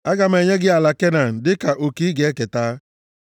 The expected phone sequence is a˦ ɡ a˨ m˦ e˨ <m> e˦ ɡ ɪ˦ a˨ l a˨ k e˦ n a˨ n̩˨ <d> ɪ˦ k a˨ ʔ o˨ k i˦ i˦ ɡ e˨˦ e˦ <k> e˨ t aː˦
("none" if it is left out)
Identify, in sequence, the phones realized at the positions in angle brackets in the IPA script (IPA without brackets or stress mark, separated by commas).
ɲ, d, k